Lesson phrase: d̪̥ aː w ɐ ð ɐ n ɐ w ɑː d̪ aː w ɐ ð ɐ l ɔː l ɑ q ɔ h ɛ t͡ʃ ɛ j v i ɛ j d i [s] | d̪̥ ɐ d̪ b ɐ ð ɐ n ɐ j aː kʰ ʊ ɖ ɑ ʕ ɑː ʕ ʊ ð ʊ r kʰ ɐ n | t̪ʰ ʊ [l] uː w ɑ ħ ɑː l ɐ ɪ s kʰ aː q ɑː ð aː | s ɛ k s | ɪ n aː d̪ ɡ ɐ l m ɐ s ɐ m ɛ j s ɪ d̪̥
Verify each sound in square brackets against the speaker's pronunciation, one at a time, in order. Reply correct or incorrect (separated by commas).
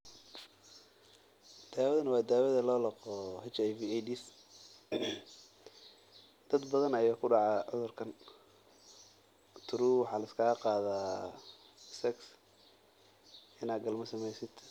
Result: correct, incorrect